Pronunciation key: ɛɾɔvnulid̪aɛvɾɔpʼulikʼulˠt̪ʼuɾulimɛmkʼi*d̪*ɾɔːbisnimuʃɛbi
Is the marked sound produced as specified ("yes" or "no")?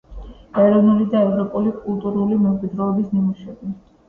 yes